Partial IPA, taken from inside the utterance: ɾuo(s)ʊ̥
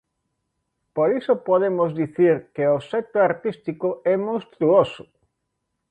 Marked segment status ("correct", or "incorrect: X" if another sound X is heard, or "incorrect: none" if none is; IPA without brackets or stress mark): correct